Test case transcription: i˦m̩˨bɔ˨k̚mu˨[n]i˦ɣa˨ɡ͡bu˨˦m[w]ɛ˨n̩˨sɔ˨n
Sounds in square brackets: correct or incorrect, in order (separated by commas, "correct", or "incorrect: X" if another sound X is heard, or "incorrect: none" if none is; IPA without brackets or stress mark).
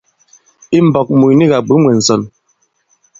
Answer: correct, correct